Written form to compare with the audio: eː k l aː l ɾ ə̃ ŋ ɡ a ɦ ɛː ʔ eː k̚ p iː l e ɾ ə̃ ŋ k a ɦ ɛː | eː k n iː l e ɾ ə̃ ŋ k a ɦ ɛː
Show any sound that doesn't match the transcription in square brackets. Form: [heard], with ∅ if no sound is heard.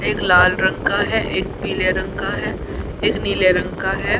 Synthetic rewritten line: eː k l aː l ɾ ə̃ ŋ [k] a ɦ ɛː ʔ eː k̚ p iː l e ɾ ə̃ ŋ k a ɦ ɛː | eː k n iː l e ɾ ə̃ ŋ k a ɦ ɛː